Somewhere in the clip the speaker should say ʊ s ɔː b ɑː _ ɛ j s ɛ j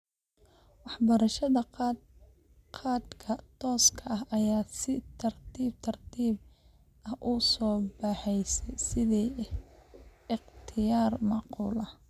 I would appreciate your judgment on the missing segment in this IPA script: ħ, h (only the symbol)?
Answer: ħ